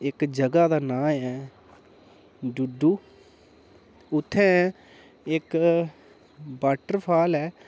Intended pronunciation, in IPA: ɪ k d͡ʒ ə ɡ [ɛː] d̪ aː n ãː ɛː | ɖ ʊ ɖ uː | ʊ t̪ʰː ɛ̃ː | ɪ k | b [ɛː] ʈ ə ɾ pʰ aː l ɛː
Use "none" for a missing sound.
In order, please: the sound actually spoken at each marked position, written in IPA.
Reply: aː, aː

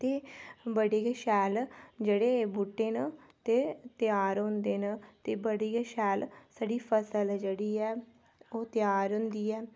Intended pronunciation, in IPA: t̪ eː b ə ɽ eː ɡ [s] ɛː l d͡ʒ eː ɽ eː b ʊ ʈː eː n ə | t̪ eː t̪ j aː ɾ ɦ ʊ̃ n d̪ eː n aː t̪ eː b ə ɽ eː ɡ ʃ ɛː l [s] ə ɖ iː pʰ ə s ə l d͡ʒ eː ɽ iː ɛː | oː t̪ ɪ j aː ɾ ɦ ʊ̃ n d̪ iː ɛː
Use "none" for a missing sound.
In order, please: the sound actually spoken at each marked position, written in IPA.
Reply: ʃ, s

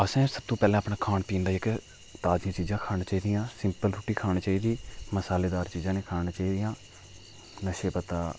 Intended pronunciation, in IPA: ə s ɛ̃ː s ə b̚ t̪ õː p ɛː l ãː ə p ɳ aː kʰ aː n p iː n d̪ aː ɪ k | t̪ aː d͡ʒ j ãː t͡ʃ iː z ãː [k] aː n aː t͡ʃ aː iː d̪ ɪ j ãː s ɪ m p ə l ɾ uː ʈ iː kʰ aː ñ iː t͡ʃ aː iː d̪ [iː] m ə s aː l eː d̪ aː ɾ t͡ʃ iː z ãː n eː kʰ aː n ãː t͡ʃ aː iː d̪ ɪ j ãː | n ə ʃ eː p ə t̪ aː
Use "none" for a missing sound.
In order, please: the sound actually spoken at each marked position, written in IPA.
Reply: kʰ, iː

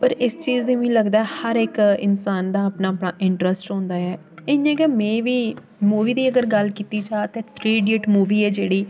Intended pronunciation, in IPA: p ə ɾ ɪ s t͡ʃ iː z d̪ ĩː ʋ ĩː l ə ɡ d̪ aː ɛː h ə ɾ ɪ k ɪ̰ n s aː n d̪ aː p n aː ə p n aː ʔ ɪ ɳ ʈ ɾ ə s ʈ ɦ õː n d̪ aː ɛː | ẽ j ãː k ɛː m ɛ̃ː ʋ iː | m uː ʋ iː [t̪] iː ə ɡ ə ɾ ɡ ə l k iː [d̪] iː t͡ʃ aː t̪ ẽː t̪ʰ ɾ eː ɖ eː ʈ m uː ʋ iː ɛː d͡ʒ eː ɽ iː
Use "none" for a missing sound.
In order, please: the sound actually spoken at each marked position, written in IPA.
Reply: d̪, t̪

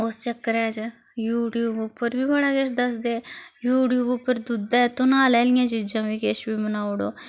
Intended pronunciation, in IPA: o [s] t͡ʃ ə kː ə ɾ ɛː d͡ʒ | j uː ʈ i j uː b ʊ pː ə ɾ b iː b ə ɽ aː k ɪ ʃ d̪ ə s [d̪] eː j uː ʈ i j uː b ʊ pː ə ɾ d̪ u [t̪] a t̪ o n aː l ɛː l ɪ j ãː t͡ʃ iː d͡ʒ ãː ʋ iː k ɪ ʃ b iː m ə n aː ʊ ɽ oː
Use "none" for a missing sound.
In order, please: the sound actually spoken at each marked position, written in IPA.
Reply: s, d̪, d̪

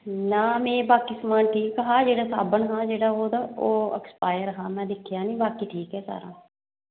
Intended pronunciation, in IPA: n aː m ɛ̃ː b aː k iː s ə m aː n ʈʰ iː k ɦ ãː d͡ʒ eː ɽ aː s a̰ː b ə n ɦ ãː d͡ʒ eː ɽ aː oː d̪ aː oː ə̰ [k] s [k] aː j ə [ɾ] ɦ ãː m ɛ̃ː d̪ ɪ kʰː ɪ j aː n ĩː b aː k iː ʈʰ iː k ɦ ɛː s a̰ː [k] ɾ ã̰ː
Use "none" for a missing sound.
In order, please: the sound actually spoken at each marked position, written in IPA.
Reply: k, p, ɾ, none

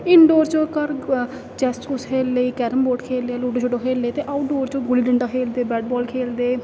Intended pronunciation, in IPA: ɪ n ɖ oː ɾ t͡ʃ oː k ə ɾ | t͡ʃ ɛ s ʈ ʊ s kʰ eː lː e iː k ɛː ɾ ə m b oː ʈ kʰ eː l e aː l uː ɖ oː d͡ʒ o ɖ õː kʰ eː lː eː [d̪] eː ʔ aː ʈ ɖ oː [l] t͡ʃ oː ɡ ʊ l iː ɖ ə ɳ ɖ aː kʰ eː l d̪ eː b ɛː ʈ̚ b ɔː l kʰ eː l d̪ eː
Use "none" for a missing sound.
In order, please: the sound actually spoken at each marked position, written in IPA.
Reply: t̪, ɾ

